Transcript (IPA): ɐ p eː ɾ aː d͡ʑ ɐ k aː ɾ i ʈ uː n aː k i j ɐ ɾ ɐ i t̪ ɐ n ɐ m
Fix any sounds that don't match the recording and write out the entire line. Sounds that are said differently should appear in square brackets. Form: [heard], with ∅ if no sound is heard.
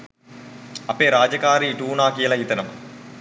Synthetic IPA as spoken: ɐ p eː ɾ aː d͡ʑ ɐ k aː ɾ i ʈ uː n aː k i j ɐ [l] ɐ i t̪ ɐ n ɐ m